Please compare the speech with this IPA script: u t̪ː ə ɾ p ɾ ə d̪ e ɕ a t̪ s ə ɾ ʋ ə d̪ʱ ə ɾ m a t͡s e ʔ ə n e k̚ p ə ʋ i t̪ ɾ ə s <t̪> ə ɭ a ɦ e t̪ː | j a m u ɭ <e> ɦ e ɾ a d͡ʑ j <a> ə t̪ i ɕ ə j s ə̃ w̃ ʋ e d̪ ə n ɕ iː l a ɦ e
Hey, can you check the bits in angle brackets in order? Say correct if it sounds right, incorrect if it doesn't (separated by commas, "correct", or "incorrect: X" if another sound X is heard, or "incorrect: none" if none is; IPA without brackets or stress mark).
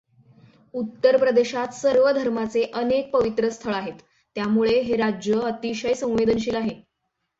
incorrect: t̪ʰ, correct, incorrect: ə